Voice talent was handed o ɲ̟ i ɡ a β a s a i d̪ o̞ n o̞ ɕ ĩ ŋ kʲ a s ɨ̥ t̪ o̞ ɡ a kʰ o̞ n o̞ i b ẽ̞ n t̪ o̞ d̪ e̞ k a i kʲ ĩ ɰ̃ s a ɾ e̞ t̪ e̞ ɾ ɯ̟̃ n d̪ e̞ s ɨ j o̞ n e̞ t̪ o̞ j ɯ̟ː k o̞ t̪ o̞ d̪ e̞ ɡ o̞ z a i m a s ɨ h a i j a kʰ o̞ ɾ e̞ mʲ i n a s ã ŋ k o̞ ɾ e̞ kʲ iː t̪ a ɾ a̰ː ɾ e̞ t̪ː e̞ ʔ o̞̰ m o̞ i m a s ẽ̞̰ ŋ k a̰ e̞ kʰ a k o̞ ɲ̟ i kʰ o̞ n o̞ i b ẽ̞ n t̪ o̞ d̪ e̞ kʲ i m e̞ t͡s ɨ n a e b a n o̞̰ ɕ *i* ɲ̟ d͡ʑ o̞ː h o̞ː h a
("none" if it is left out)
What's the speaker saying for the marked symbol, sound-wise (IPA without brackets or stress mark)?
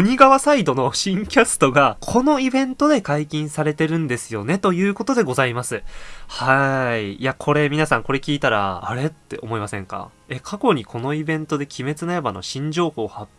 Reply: ĩ